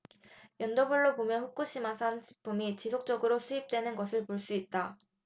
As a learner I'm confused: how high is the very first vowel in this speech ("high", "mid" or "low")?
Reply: mid